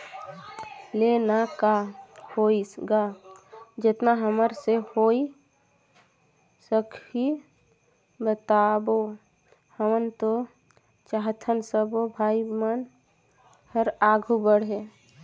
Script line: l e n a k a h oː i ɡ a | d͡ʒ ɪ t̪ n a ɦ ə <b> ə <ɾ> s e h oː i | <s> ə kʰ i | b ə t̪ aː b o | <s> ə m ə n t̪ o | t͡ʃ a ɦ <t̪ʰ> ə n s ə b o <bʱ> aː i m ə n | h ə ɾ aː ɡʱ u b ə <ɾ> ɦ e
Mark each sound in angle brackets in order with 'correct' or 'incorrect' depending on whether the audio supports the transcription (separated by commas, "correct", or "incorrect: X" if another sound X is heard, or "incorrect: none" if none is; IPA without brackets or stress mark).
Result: incorrect: m, correct, correct, incorrect: h, correct, correct, incorrect: ɽ